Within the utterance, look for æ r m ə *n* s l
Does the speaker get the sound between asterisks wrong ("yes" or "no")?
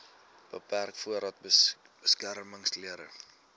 yes